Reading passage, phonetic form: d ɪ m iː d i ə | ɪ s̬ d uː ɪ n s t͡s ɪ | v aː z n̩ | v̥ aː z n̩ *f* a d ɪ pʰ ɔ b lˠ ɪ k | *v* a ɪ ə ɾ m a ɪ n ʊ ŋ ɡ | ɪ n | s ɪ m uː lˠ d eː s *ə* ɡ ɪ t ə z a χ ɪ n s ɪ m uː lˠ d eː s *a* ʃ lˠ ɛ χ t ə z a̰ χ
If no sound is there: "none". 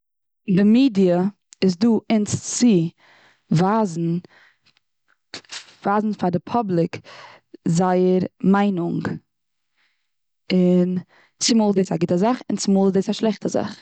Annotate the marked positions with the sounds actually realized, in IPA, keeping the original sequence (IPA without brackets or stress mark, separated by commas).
f, z, a, a